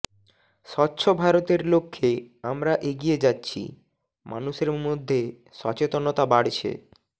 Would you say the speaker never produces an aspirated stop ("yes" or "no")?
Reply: no